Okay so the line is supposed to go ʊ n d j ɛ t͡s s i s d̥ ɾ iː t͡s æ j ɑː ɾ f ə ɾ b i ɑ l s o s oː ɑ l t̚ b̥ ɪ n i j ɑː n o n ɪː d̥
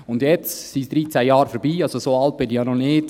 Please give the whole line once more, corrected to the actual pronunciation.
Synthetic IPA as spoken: ʊ n d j ɛ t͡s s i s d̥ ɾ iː t͡s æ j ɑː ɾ f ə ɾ b iː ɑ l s o s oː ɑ l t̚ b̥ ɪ n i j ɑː n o n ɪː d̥